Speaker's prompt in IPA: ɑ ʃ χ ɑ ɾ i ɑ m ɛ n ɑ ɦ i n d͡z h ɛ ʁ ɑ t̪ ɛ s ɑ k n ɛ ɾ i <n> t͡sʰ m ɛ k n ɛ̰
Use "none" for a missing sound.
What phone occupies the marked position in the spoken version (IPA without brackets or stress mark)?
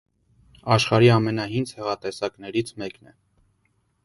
none